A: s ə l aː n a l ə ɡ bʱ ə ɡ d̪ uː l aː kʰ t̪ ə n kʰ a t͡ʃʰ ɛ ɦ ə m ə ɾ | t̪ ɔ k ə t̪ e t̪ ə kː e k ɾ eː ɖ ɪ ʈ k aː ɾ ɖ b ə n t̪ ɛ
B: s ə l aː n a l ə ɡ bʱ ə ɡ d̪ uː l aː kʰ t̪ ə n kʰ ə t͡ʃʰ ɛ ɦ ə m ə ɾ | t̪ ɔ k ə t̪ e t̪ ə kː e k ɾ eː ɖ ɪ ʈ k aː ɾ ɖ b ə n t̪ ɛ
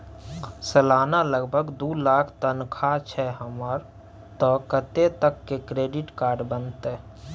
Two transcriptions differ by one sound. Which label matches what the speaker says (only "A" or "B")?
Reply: A